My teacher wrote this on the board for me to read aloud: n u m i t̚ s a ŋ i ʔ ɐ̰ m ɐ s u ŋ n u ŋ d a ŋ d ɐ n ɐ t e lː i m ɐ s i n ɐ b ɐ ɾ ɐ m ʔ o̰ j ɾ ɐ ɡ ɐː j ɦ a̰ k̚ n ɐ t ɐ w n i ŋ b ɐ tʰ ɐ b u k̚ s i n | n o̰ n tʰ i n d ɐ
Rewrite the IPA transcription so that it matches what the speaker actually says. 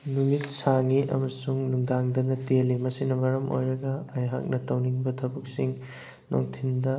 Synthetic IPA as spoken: n u m i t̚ s a ŋ i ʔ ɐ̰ m ɐ s u ŋ n u ŋ d a ŋ d ɐ n ɐ t e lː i m ɐ s i n ɐ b ɐ ɾ ɐ m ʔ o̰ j ɾ ɐ ɡ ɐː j ɦ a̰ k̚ n ɐ t ɐ w n i ŋ b ɐ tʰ ɐ b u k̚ s i ŋ | n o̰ ŋ tʰ i n d ɐ